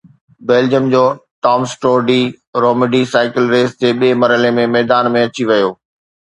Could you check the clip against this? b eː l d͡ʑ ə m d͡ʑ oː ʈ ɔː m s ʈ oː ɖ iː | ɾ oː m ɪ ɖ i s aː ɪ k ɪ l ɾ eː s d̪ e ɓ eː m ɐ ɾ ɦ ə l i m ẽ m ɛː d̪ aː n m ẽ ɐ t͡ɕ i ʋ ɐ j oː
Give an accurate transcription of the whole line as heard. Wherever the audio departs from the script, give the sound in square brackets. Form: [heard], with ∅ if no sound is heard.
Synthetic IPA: b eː l d͡ʑ ə m d͡ʑ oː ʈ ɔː m s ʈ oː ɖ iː | ɾ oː m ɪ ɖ i s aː ɪ k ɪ l ɾ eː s [t̪] e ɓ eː m ɐ ɾ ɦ ə l [e] m ẽ m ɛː d̪ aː n m ẽ ɐ t͡ɕ i ʋ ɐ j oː